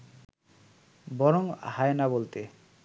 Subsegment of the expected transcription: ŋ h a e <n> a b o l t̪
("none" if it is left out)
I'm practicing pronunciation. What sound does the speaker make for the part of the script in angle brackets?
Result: n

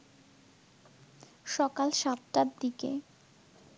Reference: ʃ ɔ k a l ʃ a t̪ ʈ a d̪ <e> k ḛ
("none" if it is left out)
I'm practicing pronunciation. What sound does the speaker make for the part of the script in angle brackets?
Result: i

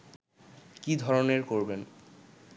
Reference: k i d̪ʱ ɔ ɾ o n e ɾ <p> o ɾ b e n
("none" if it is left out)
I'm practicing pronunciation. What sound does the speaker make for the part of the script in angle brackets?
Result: k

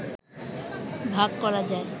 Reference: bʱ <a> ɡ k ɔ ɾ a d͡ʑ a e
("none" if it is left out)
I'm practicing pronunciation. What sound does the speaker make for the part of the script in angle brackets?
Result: a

